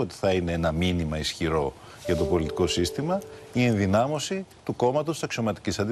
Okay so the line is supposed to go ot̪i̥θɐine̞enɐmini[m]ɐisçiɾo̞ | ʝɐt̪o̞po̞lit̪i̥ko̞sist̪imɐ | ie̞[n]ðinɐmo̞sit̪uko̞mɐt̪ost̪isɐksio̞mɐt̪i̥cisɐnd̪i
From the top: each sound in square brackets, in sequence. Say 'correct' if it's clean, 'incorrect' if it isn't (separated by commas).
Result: correct, correct